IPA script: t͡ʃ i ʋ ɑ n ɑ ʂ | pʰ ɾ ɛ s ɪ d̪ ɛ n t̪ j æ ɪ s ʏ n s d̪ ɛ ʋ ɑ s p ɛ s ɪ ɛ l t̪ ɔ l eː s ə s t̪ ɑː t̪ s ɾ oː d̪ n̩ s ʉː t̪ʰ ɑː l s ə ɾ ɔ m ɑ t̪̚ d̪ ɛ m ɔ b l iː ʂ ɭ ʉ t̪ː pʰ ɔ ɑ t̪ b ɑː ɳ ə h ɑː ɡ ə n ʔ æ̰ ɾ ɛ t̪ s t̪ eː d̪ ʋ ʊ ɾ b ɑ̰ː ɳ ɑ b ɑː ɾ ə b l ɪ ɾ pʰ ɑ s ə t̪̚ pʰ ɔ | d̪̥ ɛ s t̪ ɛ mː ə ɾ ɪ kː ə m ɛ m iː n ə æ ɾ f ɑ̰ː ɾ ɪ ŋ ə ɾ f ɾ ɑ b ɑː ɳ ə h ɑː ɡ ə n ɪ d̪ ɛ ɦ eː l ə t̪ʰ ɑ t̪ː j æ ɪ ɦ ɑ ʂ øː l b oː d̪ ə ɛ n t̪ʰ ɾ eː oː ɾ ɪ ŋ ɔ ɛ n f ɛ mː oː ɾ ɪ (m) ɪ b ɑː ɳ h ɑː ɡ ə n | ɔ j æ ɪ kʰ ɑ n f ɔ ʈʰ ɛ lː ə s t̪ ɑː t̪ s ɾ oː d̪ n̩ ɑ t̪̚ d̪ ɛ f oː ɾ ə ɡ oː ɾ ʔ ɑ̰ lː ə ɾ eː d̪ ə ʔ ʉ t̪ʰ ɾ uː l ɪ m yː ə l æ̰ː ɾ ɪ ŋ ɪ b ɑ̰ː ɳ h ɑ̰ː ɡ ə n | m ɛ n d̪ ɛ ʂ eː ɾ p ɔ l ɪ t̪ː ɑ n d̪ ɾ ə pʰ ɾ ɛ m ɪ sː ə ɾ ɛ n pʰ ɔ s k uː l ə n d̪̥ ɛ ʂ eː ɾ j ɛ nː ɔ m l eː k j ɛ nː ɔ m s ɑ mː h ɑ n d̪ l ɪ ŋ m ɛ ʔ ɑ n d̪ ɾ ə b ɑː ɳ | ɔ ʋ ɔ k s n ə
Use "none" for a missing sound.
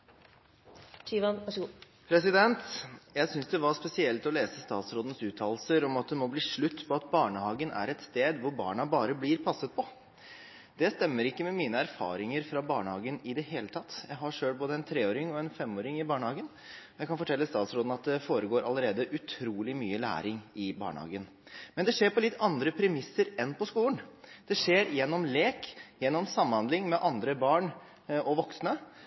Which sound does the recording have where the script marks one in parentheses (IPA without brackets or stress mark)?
ŋ